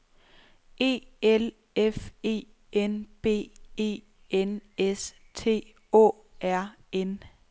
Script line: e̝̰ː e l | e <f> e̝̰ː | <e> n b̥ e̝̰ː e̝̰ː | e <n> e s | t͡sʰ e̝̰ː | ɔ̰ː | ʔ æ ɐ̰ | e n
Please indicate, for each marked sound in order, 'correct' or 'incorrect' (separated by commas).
correct, correct, correct